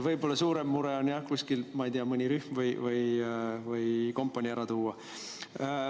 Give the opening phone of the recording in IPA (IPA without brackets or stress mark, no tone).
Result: v